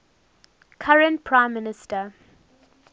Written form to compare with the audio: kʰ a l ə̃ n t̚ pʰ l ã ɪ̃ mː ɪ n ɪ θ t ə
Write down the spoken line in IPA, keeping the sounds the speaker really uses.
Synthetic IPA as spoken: kʰ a ɹ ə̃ n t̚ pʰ ɹ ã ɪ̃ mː ɪ n ɪ s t ə